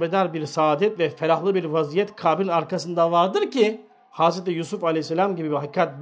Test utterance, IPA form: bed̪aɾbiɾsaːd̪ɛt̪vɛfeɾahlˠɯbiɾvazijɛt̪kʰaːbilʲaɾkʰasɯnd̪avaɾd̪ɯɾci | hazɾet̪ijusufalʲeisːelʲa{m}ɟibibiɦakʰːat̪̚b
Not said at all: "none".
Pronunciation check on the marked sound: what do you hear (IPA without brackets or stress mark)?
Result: m